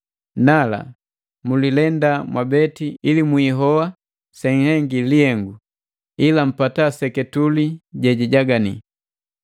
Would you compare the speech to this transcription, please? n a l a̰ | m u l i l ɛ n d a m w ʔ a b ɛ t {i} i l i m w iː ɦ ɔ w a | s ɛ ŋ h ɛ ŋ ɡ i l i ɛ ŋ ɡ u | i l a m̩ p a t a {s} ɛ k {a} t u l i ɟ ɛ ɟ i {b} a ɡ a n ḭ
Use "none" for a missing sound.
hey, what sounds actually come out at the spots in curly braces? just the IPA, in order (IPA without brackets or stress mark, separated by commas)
i, s, ɛ, ɟ